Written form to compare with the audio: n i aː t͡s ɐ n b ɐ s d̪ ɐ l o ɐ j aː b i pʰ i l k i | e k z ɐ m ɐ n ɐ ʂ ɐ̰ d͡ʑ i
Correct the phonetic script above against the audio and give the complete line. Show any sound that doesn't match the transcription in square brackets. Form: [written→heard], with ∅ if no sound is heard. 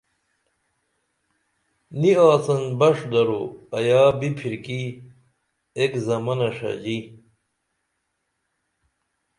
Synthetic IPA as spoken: n i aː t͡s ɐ n b ɐ [s→ʂ] d̪ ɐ [l→ɾ] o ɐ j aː b i pʰ i [l→ɾ] k i | e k z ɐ m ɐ n ɐ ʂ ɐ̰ d͡ʑ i